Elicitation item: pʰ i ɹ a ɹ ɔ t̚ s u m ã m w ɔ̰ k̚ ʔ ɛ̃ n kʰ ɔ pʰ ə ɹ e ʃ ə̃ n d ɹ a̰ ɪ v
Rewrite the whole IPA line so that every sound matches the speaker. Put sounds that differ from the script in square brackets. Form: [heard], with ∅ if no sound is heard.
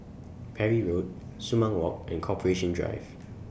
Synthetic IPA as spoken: pʰ [ɛ] ɹ [i] ɹ [o] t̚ s u m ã [ŋ] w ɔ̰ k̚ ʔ ɛ̃ n kʰ ɔ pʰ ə ɹ e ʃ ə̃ n d ɹ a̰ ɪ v